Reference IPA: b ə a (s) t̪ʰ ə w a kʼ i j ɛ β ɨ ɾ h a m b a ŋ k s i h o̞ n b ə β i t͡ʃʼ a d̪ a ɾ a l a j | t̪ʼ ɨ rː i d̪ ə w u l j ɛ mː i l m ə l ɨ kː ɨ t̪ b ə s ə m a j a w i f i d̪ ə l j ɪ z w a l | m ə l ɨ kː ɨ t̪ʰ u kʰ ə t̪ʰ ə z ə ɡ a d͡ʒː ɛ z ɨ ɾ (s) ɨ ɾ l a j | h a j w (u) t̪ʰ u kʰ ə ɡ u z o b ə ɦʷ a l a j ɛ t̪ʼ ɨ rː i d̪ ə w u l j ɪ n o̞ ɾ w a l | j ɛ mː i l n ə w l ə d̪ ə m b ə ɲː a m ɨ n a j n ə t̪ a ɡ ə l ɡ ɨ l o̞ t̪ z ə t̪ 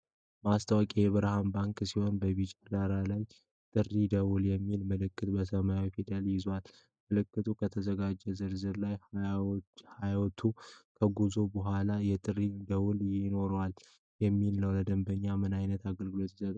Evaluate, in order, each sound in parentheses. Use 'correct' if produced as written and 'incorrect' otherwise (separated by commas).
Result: correct, incorrect, incorrect